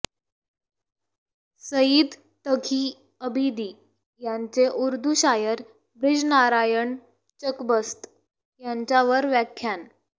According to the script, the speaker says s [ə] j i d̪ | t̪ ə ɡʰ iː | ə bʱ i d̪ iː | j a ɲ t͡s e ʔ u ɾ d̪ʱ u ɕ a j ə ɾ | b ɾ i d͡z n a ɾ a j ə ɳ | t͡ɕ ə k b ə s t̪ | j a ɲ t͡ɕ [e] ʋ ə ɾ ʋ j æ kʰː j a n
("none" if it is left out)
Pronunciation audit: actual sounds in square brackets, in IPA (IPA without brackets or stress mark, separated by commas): ə, a